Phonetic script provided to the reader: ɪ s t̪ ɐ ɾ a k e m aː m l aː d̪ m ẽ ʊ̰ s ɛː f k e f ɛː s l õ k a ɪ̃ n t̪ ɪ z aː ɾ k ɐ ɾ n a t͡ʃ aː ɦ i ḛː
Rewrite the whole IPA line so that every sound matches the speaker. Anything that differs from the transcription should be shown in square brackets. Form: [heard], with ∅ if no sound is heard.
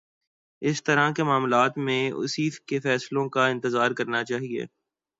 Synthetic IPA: ɪ s t̪ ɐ ɾ a k e m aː m l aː [t̪] m ẽ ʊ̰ s [iː] f k e f ɛː s l õ k a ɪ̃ n t̪ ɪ z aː ɾ k ɐ ɾ n a t͡ʃ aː ɦ i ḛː